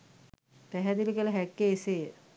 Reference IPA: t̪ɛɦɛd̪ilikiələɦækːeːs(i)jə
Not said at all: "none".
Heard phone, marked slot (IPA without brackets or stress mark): e